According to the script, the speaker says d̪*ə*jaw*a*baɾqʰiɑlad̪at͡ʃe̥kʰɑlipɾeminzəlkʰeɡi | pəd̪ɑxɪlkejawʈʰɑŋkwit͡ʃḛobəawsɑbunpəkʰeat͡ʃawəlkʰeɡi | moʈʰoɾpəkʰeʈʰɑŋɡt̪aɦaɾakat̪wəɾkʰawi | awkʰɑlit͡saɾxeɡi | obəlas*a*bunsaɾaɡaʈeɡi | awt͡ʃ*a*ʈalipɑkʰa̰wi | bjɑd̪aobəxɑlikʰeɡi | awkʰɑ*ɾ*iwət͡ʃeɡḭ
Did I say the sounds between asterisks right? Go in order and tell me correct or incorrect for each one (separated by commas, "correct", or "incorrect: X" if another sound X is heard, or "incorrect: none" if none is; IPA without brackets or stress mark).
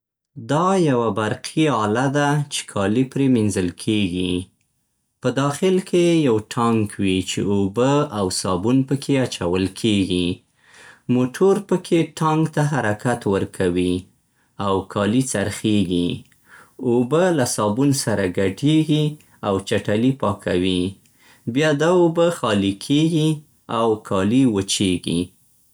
incorrect: ɑ, correct, incorrect: ɑ, correct, incorrect: l